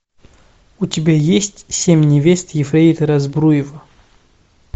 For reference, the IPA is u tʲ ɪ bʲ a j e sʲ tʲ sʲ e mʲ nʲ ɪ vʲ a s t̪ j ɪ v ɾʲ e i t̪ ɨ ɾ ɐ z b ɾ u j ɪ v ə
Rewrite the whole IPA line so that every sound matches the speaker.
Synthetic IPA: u tʲ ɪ bʲ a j e sʲ tʲ sʲ e mʲ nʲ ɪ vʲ e s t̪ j ɪ f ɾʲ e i t̪ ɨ ɾ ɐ z b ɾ u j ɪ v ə